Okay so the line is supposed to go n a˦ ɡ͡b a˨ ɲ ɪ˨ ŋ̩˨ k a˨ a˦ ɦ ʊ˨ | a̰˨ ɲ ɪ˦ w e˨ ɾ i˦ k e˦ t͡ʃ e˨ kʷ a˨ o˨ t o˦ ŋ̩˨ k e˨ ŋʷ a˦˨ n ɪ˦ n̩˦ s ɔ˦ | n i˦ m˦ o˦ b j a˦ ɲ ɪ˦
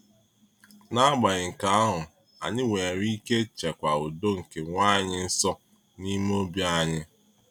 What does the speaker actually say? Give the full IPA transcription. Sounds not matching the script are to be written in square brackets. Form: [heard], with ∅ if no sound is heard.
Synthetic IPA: n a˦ ɡ͡b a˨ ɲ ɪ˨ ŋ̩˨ k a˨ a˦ ɦ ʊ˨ | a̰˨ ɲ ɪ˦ w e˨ ɾ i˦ k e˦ t͡ʃ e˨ kʷ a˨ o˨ [d] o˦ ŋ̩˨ k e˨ ŋʷ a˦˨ [ɲ] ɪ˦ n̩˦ s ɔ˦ | n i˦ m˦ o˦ b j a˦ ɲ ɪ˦

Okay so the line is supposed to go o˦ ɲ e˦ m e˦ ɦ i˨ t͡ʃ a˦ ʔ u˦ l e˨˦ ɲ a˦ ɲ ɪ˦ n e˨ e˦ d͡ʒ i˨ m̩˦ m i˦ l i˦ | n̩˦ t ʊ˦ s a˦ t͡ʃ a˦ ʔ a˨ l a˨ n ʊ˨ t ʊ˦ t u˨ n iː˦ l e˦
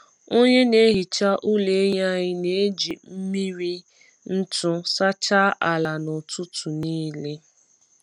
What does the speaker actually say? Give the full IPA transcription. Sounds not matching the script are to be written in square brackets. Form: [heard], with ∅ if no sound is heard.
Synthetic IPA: o˦ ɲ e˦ [n] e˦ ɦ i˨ t͡ʃ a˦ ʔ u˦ l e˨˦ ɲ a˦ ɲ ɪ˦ n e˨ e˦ d͡ʒ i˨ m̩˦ m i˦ [ɾ] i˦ | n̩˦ t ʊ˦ s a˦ t͡ʃ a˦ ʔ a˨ l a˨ n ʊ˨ t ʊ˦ t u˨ n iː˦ l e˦

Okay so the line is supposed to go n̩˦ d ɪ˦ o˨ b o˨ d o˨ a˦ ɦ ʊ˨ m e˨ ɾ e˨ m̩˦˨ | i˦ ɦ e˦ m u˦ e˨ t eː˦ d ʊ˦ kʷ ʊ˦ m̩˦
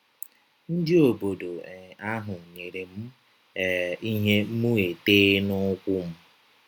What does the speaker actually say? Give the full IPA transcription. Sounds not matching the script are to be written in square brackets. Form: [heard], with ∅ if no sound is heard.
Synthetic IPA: n̩˦ d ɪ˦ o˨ b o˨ d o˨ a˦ ɦ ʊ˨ [ɲ] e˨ ɾ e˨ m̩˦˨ | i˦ ɦ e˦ m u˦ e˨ t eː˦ [n] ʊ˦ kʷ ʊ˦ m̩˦

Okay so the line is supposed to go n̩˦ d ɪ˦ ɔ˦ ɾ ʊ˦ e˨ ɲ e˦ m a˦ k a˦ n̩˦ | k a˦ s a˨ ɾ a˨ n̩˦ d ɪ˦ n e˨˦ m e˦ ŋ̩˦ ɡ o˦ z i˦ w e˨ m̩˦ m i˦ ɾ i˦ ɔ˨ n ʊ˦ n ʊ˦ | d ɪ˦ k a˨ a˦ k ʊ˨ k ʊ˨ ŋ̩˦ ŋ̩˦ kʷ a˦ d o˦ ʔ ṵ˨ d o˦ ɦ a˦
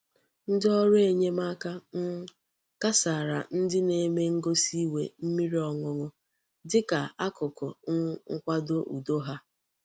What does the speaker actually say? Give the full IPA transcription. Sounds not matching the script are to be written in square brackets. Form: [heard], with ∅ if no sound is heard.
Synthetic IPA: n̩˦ d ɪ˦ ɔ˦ ɾ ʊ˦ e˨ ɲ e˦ m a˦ k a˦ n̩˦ | k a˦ s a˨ ɾ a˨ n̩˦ d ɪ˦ n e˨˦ m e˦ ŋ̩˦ ɡ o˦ [s] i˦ w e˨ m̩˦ m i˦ ɾ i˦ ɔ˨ [ŋ] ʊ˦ [ŋ] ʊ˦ | d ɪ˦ k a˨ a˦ k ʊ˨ k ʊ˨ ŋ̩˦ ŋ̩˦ kʷ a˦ d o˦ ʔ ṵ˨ d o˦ ɦ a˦

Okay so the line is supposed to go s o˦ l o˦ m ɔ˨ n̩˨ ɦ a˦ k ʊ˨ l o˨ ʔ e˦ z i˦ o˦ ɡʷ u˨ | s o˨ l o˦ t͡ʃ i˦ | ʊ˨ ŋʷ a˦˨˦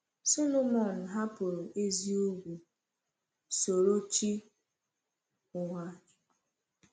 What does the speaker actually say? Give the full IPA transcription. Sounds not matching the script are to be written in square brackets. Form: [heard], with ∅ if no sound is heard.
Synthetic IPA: s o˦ l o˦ m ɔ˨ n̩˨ ɦ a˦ [p] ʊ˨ [ɾ] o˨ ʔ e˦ z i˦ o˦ ɡʷ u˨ | s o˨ [ɾ] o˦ t͡ʃ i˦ | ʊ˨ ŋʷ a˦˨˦

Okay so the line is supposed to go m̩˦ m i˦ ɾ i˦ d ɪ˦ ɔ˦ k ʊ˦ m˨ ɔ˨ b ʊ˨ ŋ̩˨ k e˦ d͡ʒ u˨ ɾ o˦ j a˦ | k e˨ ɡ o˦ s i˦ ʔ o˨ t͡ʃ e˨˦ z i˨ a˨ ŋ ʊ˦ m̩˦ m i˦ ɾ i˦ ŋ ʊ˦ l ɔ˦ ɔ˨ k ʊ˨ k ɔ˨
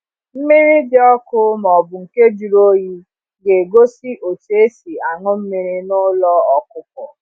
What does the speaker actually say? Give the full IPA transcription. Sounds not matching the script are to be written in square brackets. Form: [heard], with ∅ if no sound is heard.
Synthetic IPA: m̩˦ m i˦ ɾ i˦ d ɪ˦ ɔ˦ k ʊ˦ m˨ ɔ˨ b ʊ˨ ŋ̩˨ k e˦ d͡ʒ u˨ ɾ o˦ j [i˦] | [ɡ] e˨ ɡ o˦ s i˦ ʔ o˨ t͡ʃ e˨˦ [s] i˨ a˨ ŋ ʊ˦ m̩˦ m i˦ ɾ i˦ [n] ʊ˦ l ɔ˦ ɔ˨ k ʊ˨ k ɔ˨

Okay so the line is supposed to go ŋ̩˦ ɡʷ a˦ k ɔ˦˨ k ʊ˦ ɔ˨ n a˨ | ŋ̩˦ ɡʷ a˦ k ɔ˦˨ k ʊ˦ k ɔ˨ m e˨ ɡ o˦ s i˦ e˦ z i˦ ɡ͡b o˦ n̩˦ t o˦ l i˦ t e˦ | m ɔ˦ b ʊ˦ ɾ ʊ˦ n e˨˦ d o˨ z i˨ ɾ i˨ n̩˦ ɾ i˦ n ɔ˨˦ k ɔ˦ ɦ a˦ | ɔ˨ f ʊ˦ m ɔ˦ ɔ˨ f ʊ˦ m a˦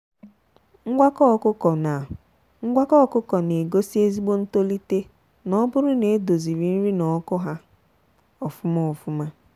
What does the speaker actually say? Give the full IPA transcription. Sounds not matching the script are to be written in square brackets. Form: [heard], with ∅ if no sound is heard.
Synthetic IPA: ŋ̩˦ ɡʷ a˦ k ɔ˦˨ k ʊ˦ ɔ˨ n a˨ | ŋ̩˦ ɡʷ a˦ k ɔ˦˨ k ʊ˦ k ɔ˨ [n] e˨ ɡ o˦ s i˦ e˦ z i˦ ɡ͡b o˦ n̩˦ t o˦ l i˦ t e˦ | [n] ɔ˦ b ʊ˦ ɾ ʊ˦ n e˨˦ d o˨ z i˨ ɾ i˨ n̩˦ ɾ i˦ n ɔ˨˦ k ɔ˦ ɦ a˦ | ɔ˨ f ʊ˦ m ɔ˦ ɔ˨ f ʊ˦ m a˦

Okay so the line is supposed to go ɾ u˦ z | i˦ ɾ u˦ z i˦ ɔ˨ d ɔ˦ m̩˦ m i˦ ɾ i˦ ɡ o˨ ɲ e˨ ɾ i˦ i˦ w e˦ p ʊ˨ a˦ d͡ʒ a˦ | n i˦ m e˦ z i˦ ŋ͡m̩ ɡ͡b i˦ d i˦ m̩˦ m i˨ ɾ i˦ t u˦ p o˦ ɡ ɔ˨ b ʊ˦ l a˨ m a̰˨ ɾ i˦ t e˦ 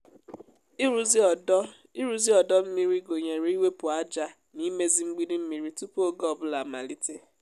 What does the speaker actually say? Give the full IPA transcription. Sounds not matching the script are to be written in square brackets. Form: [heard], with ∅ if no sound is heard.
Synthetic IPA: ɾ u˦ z | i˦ ɾ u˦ z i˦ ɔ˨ d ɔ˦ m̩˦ m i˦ ɾ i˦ ɡ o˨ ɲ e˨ ɾ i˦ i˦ w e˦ p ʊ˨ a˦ d͡ʒ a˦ | n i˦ m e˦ z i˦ ŋ͡m̩ ɡ͡b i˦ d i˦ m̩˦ m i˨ ɾ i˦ t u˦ p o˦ ɡ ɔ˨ b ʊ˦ l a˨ m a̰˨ [l] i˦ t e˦

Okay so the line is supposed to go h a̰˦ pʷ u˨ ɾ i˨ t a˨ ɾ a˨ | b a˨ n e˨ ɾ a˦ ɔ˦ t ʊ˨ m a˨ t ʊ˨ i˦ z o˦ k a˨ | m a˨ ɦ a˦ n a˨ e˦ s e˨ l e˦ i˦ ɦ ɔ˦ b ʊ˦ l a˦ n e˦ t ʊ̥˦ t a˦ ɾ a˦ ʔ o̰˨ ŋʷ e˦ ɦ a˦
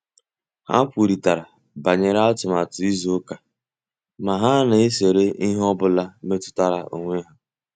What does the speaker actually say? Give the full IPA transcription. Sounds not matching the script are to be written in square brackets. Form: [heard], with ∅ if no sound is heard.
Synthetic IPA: h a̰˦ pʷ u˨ ɾ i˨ t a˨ ɾ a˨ | b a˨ [ɲ] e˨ ɾ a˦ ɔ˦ t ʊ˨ m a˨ t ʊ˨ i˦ z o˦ k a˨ | m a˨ ɦ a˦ n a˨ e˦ s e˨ [ɾ] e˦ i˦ ɦ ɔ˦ b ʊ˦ l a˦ [m] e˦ t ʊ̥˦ t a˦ ɾ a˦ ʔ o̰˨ ŋʷ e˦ ɦ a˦

